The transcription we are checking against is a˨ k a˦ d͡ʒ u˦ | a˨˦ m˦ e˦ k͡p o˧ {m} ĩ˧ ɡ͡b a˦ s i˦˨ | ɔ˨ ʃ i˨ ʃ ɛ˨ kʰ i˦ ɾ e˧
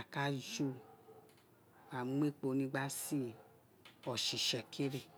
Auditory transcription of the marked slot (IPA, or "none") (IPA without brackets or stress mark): n